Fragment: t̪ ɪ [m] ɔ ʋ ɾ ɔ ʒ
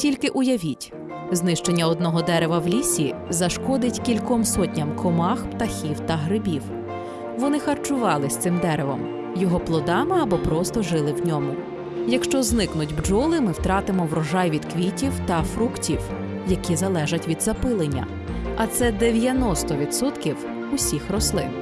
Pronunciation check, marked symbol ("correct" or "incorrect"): correct